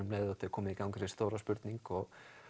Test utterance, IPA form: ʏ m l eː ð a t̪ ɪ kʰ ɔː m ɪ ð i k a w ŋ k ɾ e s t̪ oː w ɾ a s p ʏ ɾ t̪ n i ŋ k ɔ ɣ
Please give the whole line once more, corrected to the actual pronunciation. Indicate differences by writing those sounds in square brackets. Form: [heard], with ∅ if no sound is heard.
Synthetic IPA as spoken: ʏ m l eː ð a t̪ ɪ kʰ ɔː m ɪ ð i k a w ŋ k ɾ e s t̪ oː w ɾ a s p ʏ ɾ t̪ n i ŋ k ɔ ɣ